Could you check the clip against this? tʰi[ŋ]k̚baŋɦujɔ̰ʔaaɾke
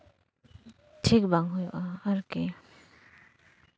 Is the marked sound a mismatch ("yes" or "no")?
yes